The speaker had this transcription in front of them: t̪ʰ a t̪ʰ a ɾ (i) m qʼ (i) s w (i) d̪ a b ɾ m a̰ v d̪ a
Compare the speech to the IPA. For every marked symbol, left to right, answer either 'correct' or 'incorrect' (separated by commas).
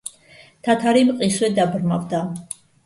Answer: correct, correct, incorrect